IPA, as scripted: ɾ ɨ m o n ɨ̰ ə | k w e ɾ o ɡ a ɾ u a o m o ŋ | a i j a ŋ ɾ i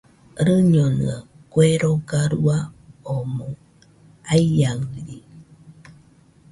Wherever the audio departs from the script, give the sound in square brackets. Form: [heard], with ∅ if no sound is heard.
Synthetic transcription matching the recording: ɾ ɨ [ɲ] o n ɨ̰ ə | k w e ɾ o ɡ a ɾ u a o m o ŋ | a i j a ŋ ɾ i